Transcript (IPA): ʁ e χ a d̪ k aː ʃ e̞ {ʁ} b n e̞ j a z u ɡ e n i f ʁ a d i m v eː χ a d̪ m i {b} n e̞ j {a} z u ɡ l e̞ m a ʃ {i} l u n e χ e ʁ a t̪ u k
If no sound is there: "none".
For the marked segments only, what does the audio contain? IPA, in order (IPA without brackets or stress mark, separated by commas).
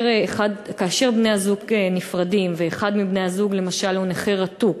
ʁ, b, a, a